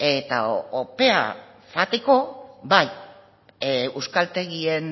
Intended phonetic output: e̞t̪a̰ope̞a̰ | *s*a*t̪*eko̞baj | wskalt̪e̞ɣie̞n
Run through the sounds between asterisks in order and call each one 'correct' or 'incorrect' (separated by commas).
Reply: incorrect, correct